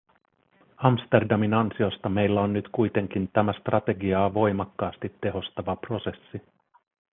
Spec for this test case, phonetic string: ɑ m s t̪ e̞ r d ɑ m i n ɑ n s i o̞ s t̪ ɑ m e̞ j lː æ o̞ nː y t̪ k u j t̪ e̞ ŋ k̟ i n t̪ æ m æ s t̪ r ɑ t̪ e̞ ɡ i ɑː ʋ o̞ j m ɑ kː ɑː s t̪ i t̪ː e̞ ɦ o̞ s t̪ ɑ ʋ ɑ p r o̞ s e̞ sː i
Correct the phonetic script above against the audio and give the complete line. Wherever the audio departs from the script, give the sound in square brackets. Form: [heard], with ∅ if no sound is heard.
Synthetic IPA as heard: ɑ m s t̪ e̞ r d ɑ m i n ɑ n s i o̞ s t̪ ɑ m e̞ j lː æ o̞ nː y t̪ k u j t̪ e̞ ŋ k̟ i n t̪ æ m æ s t̪ r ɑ t̪ e̞ ɡ i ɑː ʋ o̞ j m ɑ kː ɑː s t̪ i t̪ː e̞ ɦ o̞ s t̪ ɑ ʋ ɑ p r o̞ s e̞ sː i